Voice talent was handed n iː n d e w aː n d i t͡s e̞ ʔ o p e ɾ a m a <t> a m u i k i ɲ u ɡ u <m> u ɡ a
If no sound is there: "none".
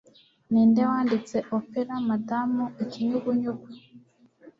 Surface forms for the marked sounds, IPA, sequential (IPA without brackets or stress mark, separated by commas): d, ɲ